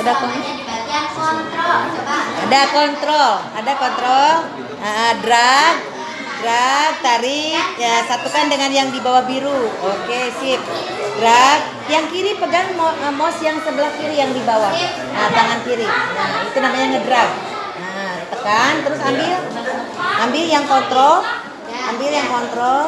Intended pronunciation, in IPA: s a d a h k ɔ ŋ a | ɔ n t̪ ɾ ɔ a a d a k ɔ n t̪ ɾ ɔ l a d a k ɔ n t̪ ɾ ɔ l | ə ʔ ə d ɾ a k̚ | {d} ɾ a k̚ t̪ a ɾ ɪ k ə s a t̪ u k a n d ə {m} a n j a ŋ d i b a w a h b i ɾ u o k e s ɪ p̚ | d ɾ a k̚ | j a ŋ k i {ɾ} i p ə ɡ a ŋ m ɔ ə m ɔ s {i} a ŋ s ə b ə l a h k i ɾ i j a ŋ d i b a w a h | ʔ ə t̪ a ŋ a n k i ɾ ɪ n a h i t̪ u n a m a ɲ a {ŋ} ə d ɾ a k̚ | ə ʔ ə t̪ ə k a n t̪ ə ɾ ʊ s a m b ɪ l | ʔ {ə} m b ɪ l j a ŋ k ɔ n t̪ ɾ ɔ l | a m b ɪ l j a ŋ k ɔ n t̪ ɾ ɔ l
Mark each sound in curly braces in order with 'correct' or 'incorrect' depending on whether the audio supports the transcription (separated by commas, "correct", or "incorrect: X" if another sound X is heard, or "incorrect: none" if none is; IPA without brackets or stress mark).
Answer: correct, incorrect: ŋ, correct, incorrect: j, correct, incorrect: a